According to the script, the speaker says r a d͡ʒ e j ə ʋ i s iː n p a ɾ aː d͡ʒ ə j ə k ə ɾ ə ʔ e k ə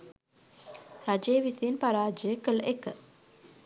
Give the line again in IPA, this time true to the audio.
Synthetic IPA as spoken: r a d͡ʒ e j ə ʋ i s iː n p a ɾ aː d͡ʒ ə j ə k ə l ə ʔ e k ə